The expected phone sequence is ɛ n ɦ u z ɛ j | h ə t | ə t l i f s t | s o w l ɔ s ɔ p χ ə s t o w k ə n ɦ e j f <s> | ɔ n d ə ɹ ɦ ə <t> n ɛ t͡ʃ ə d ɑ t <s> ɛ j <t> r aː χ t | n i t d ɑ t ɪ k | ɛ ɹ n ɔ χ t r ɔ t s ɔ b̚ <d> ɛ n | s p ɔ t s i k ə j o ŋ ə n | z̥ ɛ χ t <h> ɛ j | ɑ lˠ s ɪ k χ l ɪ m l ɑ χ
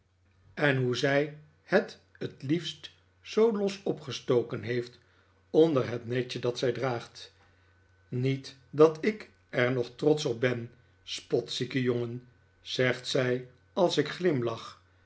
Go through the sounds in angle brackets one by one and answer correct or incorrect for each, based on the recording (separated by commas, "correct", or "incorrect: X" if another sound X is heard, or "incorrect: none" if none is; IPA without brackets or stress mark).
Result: incorrect: t, correct, correct, incorrect: d, incorrect: b, incorrect: s